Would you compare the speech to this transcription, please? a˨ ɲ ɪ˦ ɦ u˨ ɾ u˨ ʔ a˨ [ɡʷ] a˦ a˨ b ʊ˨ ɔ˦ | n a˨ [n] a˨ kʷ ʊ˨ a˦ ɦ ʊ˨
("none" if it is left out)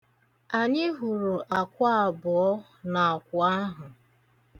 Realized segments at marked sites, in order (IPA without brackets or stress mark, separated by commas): kʷ, none